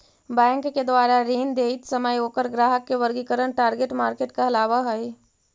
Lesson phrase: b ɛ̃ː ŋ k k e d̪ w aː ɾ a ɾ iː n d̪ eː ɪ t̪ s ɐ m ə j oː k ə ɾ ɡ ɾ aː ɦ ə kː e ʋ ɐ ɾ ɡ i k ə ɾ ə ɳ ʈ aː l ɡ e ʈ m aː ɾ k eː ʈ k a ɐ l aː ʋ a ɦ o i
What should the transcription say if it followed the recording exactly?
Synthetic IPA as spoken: b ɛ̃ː ŋ k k e d̪ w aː ɾ a ɾ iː n d̪ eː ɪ t̪ s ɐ m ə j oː k ə ɾ ɡ ɾ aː ɦ ə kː e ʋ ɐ ɾ ɡ i k ə ɾ ə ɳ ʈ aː ɾ ɡ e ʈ m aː ɾ k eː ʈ k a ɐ l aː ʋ a ɦ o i